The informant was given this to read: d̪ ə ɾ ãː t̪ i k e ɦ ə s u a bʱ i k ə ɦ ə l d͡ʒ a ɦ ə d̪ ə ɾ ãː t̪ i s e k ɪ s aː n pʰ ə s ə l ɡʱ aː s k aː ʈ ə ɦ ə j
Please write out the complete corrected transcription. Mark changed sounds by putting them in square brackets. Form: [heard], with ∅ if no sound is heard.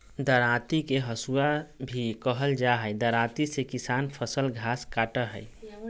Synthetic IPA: d̪ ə ɾ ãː t̪ i k e ɦ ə s u a bʱ i k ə ɦ ə l d͡ʒ a ɦ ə d̪ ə ɾ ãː t̪ i s e k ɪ s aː n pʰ ə s ə l ɡʱ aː s k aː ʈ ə ɦ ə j